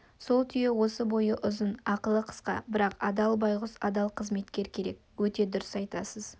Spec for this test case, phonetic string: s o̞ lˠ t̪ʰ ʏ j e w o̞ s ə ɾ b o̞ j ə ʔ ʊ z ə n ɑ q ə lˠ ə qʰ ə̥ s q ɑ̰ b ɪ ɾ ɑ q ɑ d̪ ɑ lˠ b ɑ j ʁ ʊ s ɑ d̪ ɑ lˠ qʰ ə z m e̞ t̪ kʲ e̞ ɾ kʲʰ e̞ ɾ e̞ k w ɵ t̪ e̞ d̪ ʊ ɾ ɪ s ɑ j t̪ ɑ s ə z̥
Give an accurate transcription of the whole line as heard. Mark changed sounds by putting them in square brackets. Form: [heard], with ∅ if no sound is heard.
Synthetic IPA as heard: s o̞ lˠ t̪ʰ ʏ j e w o̞ s ə [∅] b o̞ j ə ʔ ʊ z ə n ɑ q ə lˠ ə qʰ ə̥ s q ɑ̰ b ɪ ɾ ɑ q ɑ d̪ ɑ lˠ b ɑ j ʁ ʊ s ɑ d̪ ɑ lˠ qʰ ə z m e̞ t̪ kʲ e̞ ɾ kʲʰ e̞ ɾ e̞ k w ɵ t̪ e̞ d̪ ʊ ɾ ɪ s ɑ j t̪ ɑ s ə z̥